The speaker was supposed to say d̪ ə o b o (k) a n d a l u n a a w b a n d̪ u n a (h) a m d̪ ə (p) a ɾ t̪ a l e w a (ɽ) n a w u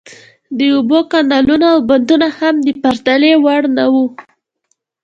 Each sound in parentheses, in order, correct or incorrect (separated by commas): correct, correct, correct, correct